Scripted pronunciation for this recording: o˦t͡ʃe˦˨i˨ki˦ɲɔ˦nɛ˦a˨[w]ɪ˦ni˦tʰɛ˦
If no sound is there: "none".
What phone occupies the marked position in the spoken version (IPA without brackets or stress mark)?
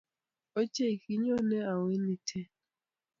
w